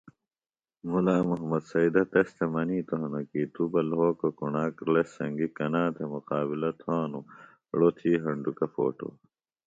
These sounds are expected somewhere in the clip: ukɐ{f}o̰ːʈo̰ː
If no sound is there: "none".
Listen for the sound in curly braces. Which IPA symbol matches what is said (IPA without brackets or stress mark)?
f